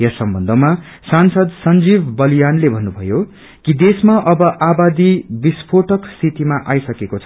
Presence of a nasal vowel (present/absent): absent